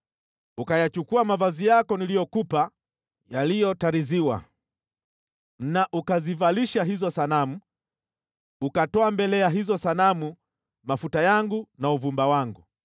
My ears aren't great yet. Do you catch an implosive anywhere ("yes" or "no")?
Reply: no